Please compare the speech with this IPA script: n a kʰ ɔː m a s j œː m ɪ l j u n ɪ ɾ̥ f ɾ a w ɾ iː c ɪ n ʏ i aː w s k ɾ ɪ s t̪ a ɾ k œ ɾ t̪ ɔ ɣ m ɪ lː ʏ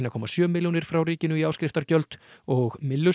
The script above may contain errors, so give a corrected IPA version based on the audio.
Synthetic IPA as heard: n a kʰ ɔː m a s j œː m ɪ l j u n ɪ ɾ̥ f ɾ a w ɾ iː c ɪ n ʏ i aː w s k ɾ ɪ f t̪ a ɾ c œ l t̪ ɔ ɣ m ɪ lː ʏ